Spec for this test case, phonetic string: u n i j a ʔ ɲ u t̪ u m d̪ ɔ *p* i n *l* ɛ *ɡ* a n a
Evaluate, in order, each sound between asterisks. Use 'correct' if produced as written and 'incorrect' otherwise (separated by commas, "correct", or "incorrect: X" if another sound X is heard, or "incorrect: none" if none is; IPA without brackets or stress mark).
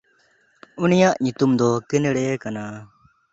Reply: incorrect: k, incorrect: ɽ, incorrect: k